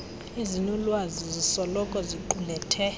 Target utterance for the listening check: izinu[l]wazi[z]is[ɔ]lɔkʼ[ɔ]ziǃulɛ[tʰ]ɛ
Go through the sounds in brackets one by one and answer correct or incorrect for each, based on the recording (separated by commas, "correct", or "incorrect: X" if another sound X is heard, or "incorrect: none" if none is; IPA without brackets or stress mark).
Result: correct, correct, correct, correct, correct